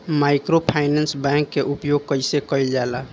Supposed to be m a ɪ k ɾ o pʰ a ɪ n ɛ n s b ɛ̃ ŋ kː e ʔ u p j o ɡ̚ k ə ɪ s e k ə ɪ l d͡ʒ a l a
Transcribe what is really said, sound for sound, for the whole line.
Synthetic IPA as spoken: m a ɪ k ɾ o pʰ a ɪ n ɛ n s b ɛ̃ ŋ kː e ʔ u p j o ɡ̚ k ə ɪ s e k ə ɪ l d͡ʒ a l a